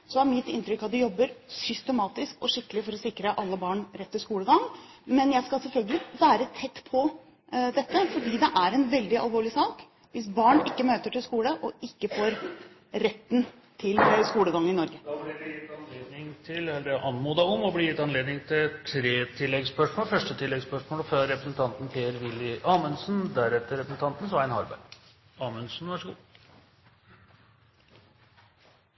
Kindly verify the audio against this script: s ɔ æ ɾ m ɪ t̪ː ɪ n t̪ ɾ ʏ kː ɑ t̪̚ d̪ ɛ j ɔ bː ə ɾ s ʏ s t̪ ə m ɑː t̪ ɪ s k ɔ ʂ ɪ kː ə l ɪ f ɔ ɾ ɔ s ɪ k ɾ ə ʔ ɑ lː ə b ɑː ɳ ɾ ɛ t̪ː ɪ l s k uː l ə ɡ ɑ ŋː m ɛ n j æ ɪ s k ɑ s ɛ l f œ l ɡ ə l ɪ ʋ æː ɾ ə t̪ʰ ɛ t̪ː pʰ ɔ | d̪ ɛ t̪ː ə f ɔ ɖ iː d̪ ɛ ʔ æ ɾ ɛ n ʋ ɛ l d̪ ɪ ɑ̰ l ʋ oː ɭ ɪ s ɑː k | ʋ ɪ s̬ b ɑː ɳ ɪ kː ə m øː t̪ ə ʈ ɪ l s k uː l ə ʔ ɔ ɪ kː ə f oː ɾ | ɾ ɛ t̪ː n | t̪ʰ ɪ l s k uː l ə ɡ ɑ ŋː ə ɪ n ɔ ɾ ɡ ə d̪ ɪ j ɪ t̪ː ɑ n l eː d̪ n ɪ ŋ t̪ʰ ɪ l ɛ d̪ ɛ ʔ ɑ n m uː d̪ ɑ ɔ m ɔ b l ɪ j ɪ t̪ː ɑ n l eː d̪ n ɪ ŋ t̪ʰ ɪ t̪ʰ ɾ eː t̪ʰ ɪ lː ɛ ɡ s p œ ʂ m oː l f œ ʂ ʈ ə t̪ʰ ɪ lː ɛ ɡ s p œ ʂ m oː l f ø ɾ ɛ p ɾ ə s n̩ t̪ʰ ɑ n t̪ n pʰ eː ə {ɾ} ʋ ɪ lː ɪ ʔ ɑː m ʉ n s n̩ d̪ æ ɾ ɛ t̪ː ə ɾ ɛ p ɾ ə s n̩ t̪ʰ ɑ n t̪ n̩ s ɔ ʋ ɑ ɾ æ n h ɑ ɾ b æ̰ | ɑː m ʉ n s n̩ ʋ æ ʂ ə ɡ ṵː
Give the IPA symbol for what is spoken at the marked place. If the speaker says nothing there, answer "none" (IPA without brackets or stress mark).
ɾ